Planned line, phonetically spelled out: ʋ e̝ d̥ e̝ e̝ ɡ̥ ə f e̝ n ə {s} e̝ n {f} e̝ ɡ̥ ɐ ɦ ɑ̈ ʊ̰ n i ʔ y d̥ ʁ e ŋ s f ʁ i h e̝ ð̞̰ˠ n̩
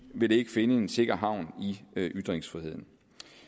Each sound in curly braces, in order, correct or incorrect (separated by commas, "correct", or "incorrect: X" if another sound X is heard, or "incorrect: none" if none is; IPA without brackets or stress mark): incorrect: none, incorrect: s